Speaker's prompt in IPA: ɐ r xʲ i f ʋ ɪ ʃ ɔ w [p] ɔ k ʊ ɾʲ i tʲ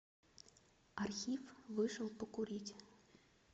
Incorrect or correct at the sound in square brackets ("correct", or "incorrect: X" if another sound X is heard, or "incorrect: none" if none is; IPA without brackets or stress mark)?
correct